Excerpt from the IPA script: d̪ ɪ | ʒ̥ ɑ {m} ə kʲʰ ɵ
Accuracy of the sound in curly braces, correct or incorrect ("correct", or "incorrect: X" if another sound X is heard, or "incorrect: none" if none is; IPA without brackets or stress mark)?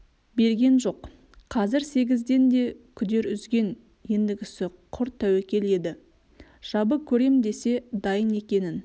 incorrect: b